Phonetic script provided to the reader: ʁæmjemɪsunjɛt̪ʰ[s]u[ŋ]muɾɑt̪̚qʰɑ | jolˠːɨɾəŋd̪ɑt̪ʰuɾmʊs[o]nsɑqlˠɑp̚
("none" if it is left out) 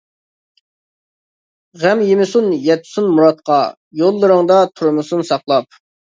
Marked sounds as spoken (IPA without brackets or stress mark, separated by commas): s, n, u